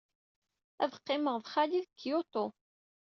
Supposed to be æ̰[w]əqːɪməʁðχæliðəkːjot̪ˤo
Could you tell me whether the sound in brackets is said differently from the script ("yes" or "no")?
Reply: yes